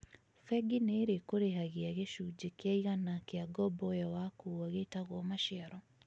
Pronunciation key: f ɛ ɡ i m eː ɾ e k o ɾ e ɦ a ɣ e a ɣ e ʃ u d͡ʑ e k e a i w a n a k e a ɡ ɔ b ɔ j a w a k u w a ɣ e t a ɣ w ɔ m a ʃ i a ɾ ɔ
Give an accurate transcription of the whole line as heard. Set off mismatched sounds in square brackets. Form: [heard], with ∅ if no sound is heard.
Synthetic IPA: f ɛ ɡ i [n] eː ɾ e k o ɾ e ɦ a ɣ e a ɣ e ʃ u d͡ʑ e k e a i [ɣ] a n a k e a ɡ ɔ b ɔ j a w a k u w a ɣ e t a ɣ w ɔ m a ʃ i a ɾ ɔ